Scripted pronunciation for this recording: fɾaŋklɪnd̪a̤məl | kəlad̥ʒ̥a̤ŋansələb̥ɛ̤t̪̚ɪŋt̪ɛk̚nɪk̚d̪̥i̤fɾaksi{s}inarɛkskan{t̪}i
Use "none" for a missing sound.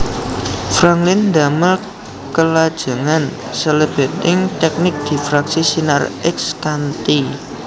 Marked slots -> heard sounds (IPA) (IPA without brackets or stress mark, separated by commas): s, t̪